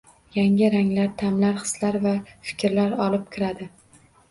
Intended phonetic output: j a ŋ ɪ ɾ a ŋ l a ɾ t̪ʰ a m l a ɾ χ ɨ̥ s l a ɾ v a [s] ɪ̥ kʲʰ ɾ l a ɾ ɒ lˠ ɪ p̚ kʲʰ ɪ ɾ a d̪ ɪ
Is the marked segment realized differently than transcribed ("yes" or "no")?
yes